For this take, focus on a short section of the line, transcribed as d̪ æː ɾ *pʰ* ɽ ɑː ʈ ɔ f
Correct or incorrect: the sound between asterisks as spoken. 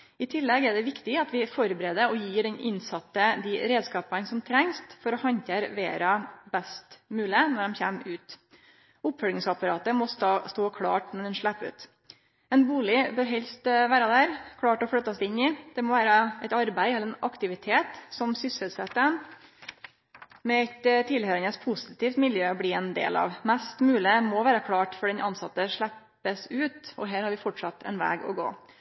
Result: incorrect: kʰ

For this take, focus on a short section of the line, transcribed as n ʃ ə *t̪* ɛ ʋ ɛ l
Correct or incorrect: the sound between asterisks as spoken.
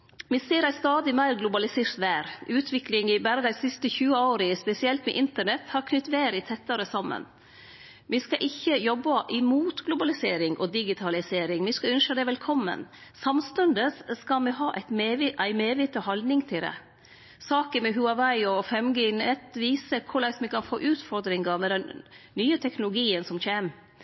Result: incorrect: d̪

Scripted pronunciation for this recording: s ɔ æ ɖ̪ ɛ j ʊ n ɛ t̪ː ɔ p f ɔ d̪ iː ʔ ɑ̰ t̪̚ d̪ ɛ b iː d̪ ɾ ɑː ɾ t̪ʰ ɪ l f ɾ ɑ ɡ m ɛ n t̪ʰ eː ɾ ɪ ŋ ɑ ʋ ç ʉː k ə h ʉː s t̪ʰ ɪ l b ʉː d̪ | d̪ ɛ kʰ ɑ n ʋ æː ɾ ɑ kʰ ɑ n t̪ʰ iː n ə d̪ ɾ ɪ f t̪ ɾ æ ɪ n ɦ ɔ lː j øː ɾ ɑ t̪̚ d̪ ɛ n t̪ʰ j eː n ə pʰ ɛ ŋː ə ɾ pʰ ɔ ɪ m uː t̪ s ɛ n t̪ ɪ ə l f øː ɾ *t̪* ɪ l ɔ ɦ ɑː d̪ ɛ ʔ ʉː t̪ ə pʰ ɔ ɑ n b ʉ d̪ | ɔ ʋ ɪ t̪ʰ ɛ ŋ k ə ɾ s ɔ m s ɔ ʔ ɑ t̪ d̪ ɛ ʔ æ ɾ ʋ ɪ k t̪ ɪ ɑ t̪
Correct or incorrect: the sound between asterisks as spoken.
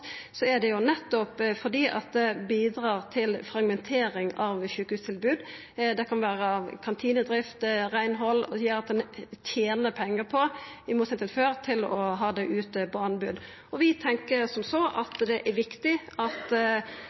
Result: incorrect: t̪ʰ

